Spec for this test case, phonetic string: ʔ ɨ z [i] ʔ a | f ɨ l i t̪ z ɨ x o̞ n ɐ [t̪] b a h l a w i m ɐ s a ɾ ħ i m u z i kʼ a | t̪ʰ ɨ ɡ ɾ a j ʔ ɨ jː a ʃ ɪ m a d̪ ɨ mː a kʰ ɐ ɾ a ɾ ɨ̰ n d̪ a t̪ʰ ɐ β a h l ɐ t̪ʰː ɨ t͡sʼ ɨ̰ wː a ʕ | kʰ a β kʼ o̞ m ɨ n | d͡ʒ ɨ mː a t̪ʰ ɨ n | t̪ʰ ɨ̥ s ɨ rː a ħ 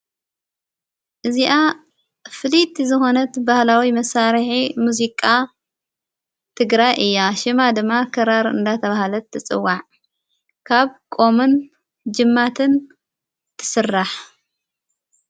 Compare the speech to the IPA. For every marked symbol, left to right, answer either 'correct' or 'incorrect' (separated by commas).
correct, correct